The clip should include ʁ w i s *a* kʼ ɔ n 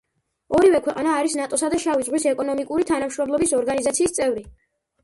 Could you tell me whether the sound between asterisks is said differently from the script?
yes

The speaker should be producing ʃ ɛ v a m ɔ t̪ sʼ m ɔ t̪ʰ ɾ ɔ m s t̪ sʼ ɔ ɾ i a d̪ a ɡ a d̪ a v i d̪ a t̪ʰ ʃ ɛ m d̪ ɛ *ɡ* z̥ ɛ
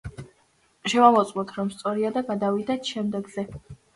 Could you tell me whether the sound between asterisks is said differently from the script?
no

